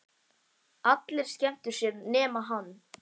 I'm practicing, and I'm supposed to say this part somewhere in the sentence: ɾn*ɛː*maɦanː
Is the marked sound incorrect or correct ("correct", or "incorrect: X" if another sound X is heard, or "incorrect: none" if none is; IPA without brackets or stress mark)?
correct